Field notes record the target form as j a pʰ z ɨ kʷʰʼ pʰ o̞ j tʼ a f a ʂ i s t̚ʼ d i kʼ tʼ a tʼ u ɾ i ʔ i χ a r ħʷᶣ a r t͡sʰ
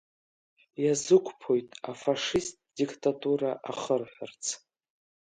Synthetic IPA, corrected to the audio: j a z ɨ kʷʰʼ pʰ o̞ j tʼ a f a ʂ i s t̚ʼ d i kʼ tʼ a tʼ u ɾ a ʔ a χ ə r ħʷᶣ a r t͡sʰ